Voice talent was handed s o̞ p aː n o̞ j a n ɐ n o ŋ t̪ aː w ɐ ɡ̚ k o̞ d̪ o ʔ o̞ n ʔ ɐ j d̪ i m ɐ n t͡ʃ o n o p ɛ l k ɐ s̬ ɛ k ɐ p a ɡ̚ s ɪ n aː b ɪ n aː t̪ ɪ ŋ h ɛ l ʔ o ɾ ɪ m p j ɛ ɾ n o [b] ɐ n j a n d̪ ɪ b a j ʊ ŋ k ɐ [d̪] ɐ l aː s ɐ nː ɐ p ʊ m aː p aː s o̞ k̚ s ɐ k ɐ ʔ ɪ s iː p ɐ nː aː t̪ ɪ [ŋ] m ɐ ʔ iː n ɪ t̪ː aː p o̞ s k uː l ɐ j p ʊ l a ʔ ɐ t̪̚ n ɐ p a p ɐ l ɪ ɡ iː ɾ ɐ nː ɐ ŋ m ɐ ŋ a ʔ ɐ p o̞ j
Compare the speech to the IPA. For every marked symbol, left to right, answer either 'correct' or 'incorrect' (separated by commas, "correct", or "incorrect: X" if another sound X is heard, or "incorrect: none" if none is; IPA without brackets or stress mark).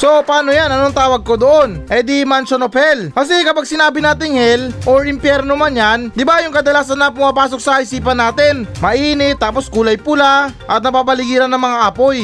incorrect: m, correct, incorrect: n